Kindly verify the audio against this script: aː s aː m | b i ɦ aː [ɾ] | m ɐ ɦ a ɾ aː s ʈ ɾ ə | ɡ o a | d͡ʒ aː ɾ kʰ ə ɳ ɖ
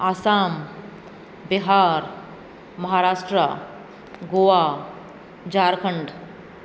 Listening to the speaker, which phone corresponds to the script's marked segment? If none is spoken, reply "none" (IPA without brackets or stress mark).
ɾ